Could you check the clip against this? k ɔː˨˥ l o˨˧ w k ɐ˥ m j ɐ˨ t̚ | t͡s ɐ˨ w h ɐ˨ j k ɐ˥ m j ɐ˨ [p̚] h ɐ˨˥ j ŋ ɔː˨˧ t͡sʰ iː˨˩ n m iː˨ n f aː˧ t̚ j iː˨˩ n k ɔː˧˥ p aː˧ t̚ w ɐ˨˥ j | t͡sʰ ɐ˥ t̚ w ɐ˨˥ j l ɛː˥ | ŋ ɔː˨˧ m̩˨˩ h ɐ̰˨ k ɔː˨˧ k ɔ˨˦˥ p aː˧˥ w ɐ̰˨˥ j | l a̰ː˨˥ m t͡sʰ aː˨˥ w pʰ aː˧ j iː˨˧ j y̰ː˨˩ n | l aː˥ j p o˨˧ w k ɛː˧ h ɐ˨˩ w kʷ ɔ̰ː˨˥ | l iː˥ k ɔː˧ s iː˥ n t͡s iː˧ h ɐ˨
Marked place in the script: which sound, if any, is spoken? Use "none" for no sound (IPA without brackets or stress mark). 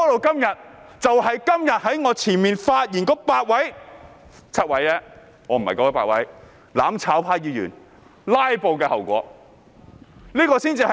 t̚